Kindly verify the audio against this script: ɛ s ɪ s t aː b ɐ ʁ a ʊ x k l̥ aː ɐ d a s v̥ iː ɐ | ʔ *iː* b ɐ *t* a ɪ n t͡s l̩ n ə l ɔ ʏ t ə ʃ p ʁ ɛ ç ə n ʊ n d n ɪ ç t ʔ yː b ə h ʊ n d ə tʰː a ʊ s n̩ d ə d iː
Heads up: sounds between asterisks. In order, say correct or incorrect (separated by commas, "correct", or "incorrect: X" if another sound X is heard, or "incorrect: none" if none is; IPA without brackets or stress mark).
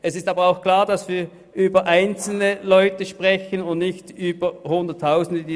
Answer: incorrect: yː, incorrect: ʔ